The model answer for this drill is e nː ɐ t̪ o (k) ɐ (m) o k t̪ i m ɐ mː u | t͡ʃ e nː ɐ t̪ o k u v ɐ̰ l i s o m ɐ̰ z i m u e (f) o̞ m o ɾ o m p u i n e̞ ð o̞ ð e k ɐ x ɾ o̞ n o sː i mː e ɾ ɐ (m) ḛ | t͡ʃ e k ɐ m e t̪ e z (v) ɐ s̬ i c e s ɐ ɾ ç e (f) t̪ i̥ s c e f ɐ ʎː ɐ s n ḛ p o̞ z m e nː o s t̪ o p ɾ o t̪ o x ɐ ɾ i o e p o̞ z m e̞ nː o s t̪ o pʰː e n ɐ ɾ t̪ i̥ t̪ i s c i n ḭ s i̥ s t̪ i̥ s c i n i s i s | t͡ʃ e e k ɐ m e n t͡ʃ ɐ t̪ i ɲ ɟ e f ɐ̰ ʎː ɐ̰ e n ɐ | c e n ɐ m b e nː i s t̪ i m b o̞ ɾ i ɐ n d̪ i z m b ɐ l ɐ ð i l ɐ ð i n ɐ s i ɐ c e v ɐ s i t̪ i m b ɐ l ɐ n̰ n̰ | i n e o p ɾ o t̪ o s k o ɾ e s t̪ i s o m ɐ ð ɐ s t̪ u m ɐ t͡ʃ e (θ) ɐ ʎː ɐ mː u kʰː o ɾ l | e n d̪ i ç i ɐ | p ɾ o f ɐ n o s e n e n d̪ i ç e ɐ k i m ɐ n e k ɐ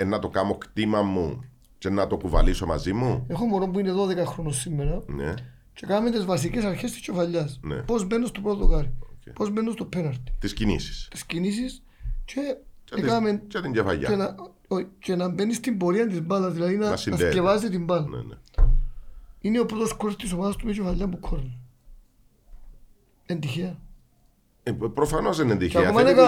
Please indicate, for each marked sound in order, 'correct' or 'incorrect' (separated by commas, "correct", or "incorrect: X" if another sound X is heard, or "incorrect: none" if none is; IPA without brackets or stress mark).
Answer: correct, correct, incorrect: x, incorrect: n, correct, incorrect: s, incorrect: f